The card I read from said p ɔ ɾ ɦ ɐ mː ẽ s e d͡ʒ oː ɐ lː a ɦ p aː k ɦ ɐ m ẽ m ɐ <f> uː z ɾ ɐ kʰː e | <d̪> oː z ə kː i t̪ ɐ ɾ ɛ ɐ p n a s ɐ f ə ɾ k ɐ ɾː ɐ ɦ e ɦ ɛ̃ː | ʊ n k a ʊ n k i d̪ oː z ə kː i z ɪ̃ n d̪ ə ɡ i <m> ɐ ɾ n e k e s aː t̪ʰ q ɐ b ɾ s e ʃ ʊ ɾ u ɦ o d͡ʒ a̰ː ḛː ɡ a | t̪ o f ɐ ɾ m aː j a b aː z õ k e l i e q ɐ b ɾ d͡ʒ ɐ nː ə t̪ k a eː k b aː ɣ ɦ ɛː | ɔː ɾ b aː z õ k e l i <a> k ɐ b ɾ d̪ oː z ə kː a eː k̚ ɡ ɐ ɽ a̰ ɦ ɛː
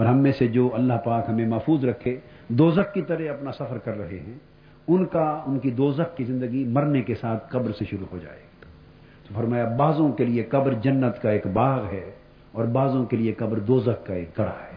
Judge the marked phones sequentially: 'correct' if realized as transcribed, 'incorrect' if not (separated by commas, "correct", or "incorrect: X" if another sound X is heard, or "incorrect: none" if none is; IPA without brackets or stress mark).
correct, correct, correct, incorrect: e